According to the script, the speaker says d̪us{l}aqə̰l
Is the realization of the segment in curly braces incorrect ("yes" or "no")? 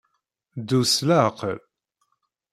no